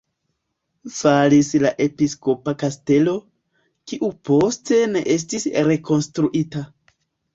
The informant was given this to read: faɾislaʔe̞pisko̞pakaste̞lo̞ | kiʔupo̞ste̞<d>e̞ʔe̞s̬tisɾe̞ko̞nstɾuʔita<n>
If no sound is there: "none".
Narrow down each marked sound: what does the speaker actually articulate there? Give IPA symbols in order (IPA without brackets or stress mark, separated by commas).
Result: n, none